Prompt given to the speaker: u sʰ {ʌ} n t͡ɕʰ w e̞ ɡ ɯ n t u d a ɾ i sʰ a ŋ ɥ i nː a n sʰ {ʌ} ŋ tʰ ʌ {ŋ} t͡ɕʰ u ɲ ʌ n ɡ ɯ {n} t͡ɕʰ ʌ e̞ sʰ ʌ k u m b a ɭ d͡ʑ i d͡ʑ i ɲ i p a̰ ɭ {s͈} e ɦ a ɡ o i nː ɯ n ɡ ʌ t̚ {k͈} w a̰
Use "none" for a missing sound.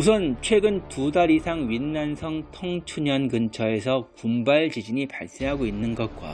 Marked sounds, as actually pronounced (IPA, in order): ʌ, ʌ, ŋ, n, s͈, k͈

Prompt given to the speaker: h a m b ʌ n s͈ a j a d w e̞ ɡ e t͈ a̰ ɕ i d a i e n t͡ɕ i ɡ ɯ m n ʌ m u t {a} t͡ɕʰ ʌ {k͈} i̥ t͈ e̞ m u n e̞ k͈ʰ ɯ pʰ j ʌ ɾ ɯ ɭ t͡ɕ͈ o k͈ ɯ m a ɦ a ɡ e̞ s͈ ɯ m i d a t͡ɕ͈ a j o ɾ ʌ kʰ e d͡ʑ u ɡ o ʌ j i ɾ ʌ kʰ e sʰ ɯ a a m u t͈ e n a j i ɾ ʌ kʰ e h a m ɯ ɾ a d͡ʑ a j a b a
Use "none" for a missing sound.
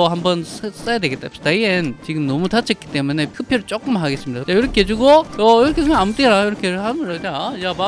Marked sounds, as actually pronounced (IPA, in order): a, k͈

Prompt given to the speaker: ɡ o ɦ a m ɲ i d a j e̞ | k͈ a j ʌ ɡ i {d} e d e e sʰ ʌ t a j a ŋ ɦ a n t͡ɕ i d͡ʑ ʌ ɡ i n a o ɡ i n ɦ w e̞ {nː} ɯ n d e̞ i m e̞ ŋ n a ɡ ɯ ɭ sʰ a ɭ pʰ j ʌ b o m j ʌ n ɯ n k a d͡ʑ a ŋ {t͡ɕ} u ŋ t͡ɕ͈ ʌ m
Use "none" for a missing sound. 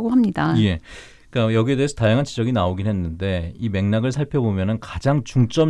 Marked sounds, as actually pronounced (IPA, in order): none, nː, t͡ɕ

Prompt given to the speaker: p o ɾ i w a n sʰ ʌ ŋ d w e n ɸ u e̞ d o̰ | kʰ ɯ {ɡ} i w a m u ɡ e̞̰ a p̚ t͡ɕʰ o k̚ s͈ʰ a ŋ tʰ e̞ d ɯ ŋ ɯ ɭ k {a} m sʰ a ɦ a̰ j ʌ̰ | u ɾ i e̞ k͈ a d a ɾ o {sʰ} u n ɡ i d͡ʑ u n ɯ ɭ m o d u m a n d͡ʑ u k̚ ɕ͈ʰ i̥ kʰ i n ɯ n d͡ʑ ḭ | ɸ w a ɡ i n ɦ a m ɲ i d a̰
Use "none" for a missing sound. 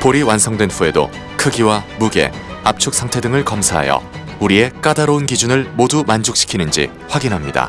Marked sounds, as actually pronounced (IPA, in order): ɡ, ʌ, none

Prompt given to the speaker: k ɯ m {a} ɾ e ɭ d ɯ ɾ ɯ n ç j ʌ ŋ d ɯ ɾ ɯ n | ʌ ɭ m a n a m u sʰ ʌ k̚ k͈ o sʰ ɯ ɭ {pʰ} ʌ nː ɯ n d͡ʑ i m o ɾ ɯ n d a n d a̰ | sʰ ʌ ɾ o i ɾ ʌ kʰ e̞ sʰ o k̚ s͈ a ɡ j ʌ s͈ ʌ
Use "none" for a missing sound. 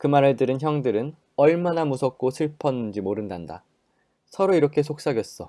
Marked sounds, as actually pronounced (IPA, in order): a, pʰ

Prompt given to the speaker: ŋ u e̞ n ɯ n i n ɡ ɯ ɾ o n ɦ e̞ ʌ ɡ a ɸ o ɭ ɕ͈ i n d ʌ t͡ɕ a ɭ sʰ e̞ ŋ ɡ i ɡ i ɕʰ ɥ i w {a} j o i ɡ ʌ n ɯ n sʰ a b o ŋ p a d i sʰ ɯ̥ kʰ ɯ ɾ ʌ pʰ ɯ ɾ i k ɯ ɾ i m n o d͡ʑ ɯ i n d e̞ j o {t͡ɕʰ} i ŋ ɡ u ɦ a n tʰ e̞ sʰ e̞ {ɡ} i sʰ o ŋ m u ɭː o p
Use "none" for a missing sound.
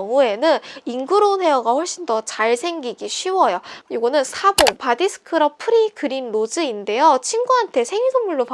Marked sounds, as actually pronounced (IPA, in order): ʌ, t͡ɕʰ, ŋ

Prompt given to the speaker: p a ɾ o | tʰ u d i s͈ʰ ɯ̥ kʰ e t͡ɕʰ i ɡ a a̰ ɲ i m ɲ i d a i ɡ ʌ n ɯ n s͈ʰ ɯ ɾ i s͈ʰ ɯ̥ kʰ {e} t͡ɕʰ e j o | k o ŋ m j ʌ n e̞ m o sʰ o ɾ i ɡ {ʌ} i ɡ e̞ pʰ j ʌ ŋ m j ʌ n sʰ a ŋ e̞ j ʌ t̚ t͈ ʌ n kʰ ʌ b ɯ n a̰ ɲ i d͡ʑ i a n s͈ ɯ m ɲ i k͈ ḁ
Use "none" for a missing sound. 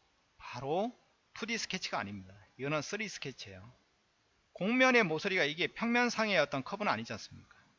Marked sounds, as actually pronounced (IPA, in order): e, a

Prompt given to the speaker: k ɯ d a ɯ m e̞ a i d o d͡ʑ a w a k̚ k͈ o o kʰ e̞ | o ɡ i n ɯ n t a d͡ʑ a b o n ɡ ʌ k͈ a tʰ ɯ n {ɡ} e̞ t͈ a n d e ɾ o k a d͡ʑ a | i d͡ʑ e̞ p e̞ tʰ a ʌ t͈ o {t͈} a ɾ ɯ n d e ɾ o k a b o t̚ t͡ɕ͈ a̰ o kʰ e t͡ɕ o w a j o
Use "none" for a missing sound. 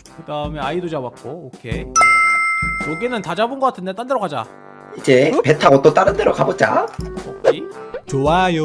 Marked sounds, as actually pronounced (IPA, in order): d, t͈

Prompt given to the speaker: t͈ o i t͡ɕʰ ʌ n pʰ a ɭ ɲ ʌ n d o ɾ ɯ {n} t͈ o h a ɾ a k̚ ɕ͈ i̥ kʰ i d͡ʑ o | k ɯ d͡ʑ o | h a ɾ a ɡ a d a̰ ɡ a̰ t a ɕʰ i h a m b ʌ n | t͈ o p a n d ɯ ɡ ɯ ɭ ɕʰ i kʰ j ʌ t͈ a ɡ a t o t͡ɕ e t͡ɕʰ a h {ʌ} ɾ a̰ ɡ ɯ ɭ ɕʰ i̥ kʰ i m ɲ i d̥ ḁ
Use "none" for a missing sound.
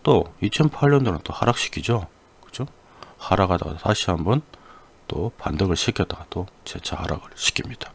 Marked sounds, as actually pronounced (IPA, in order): n, a

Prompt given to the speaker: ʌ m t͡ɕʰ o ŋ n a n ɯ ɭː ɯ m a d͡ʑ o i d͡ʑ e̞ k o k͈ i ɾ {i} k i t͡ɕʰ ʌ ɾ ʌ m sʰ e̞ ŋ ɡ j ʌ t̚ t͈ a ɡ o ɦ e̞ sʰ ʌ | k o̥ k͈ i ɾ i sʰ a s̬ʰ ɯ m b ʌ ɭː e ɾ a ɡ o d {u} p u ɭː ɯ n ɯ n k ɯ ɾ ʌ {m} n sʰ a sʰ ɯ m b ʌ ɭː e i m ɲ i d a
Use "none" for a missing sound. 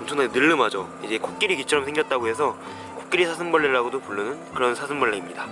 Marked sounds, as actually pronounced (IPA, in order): i, o, none

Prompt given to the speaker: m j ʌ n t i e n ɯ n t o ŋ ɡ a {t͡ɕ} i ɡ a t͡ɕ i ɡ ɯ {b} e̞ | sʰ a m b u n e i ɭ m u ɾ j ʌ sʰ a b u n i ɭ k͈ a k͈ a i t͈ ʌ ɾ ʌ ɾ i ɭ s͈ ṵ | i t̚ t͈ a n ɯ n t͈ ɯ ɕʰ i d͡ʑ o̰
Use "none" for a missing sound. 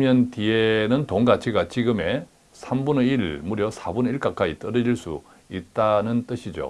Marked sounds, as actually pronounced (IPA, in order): t͡ɕʰ, m

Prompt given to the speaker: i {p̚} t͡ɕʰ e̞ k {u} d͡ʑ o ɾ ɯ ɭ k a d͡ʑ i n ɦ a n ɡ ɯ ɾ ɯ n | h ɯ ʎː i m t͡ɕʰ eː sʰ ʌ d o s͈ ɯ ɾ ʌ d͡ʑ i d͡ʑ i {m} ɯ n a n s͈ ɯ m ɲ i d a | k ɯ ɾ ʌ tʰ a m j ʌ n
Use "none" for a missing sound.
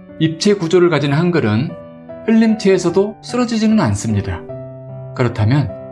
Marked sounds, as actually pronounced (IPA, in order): p̚, u, n

